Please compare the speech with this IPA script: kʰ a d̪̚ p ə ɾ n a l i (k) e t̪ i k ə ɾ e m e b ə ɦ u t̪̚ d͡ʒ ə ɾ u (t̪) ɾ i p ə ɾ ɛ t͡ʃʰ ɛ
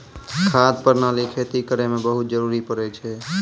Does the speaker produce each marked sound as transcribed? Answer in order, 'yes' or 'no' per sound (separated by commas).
no, no